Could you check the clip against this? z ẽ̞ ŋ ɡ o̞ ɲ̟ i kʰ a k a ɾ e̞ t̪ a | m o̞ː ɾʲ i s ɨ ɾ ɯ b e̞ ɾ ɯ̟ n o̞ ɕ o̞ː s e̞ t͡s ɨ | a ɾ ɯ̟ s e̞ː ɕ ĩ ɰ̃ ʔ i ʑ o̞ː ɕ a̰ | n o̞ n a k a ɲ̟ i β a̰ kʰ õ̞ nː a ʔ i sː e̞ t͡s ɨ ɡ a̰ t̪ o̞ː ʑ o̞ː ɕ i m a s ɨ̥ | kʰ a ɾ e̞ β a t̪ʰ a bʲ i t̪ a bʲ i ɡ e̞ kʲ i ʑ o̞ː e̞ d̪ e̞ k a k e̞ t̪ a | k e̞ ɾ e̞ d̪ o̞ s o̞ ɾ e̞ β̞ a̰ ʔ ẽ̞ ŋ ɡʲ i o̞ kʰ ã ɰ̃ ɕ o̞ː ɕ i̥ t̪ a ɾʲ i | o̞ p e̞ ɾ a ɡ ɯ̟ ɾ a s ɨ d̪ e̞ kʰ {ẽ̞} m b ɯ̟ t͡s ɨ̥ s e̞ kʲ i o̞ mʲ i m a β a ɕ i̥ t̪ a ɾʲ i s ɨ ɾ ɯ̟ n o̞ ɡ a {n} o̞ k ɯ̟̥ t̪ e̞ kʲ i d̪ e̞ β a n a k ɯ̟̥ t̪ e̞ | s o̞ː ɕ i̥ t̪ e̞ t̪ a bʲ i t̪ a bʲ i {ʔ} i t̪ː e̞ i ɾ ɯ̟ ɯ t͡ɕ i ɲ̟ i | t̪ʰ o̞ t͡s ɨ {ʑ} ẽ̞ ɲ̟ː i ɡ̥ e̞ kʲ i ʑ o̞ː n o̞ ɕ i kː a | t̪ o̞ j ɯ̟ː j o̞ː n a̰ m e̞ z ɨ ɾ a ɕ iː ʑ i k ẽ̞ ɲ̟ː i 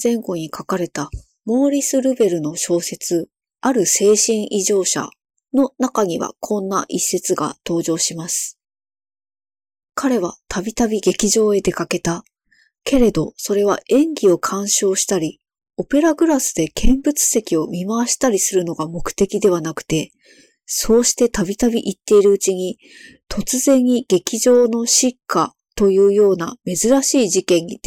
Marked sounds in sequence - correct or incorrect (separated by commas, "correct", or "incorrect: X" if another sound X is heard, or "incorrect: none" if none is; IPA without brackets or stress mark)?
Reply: correct, incorrect: m, correct, incorrect: z